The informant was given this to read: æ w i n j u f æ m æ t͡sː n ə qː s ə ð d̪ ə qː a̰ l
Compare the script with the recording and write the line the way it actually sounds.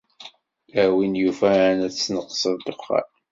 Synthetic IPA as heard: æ w i n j u f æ n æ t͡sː n ə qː s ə ð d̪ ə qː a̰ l

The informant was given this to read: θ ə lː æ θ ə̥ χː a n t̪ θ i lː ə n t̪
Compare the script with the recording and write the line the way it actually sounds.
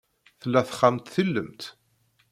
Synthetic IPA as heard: θ ə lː æ θ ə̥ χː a m t̪ θ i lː ə m t̪

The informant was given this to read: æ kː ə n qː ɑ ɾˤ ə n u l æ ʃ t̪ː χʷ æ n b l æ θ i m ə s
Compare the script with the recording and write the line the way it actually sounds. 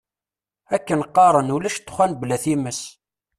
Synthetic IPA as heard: æ kː ə n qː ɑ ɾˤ ə n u l æ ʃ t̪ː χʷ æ n b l æ θ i m ə s

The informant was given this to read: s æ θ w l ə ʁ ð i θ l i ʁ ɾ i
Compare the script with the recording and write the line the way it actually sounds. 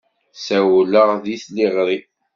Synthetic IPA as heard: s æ w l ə ʁ ð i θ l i ʁ ɾ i

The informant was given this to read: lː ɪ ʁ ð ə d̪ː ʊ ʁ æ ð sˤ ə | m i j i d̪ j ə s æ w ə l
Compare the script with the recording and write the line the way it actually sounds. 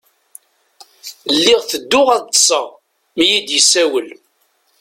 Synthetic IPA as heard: lː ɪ ʁ θ ə d̪ː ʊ ʁ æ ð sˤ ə | m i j i d̪ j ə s æ w ə l

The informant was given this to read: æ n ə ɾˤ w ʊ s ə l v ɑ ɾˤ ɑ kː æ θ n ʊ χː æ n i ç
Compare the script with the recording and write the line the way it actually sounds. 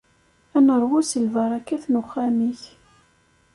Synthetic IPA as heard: æ n ə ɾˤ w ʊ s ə l v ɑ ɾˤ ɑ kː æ θ n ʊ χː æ m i ç

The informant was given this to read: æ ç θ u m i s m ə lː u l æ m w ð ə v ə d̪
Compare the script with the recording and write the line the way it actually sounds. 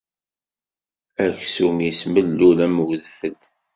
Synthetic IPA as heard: æ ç s u m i s m ə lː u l æ m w ð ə f ə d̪

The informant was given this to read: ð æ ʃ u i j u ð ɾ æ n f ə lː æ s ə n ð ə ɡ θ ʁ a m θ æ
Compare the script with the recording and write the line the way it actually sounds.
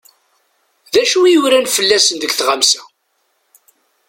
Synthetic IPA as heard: ð æ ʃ u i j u ɾ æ n f ə lː æ s ə n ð ə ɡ θ ʁ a m s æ

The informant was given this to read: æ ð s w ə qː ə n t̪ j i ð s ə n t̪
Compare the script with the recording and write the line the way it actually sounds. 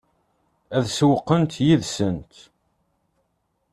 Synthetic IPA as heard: æ ð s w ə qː ə n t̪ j i ð s ə n t̪

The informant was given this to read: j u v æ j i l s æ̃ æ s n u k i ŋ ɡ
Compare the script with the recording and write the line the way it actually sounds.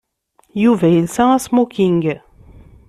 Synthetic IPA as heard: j u v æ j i l s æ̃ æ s m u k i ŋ ɡ

